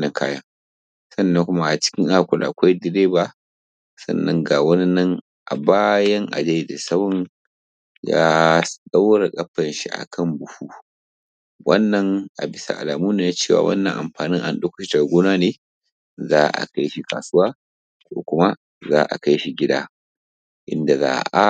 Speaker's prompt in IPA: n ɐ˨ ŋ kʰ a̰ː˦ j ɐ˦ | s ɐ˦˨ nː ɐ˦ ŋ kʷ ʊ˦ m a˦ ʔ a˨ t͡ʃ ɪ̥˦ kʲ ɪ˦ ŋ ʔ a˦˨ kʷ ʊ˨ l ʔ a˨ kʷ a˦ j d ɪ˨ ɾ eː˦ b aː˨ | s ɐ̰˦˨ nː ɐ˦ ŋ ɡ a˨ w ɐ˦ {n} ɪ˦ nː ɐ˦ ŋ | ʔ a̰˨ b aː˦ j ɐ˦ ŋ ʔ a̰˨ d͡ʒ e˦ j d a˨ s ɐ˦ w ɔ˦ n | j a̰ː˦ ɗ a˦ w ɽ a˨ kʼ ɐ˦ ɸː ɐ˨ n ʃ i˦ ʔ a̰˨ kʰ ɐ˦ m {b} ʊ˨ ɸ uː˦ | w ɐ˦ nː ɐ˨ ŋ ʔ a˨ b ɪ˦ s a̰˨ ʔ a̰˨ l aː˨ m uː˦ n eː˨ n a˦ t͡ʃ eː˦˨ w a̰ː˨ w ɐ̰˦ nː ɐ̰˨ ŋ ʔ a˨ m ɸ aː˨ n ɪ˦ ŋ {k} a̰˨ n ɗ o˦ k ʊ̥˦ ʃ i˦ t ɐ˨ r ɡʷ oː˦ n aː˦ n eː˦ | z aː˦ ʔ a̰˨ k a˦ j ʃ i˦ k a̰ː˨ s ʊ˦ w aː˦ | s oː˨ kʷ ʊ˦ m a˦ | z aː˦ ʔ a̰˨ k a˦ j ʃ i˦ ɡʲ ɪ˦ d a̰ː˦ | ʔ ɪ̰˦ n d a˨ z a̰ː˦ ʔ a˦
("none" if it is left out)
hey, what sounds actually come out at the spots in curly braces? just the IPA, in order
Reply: n, b, ʔ

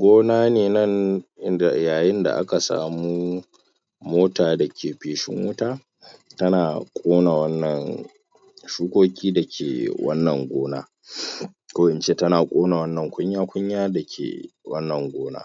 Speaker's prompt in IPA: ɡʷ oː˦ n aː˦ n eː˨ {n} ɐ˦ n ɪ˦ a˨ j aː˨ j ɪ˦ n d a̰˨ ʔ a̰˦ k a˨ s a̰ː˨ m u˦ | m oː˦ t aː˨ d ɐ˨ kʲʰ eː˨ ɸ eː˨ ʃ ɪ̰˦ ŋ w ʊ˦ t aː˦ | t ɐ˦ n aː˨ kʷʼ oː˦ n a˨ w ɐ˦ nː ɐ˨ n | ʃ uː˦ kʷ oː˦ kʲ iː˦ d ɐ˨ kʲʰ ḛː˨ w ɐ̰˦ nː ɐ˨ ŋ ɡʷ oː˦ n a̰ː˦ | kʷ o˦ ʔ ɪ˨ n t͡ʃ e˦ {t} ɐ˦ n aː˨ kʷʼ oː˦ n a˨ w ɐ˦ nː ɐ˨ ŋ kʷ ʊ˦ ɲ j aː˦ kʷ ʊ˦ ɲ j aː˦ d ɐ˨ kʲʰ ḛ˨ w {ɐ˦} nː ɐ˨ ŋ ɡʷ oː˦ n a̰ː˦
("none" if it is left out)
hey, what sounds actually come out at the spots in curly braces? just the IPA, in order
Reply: n, t, ɐ˦

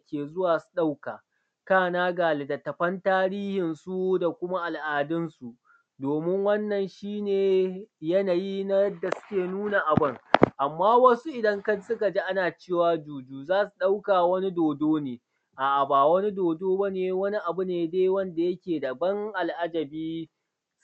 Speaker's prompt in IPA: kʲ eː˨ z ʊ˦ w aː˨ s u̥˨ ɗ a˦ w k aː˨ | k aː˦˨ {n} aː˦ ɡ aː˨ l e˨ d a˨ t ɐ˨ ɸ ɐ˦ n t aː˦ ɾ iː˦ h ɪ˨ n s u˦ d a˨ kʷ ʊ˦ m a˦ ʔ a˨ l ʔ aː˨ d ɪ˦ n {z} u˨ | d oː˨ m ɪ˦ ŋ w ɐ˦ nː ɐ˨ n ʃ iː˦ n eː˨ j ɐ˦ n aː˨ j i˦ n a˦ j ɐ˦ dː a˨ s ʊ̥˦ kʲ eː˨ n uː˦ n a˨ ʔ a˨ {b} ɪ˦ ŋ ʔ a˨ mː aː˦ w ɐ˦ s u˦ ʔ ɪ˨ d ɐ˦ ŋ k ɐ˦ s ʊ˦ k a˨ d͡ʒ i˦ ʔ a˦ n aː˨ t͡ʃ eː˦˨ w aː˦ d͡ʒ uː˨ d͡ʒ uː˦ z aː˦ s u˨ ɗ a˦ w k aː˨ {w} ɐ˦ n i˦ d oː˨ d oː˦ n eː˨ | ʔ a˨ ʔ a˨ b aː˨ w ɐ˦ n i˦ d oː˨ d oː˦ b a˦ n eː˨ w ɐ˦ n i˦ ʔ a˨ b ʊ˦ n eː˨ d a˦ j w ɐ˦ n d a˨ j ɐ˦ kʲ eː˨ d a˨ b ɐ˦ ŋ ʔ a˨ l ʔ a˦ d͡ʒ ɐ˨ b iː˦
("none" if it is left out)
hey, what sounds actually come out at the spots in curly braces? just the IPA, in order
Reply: n, s, b, w

